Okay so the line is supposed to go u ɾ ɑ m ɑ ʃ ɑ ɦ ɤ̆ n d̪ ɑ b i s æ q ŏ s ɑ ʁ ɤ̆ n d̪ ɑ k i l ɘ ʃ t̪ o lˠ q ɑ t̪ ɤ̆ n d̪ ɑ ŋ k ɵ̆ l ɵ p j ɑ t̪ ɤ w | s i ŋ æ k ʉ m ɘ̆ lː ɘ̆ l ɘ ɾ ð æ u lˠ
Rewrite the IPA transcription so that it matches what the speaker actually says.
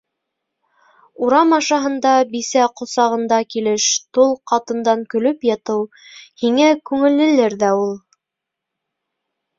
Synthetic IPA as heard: u ɾ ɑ m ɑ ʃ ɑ ɦ ɤ̆ n d̪ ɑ b i s æ q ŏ s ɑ ʁ ɤ̆ n d̪ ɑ k i l ɘ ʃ t̪ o lˠ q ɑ t̪ ɤ̆ n d̪ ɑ ŋ k ɵ̆ l ɵ p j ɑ t̪ ɤ w | h i ŋ æ k ʉ ŋ ɘ̆ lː ɘ̆ l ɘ ɾ ð æ u lˠ